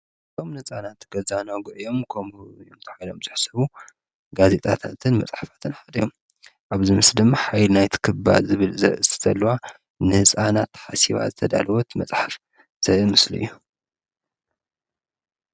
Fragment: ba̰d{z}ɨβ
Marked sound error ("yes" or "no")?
no